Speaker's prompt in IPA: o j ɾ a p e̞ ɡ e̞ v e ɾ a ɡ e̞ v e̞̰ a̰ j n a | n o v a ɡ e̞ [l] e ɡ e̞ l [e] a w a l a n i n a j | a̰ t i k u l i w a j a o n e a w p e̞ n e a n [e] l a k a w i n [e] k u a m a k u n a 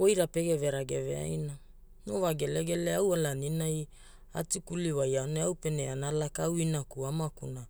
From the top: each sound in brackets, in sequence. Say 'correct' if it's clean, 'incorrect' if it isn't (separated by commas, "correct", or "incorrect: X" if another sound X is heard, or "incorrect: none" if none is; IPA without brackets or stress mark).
correct, correct, incorrect: a, incorrect: a